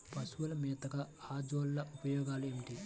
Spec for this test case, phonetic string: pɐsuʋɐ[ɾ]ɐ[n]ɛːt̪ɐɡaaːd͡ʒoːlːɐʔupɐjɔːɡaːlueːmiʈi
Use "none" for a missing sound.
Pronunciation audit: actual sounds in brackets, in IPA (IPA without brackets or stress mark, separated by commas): l, m